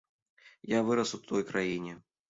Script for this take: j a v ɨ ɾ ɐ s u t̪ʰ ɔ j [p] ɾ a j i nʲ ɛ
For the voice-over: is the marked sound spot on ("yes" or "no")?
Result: no